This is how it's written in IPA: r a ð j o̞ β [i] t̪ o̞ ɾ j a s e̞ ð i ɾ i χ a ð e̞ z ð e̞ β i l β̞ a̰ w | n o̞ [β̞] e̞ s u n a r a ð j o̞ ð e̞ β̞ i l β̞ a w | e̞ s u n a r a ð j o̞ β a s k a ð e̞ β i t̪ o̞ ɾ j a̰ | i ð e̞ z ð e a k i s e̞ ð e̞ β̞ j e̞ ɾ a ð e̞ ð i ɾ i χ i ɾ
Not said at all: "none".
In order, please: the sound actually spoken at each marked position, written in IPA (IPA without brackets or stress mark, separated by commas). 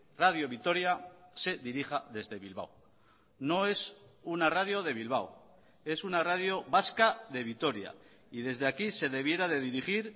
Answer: i, none